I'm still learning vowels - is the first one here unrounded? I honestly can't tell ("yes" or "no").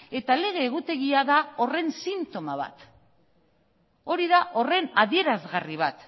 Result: yes